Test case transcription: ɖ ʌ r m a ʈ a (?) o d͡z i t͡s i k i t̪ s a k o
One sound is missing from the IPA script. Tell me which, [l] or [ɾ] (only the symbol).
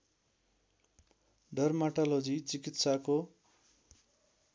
l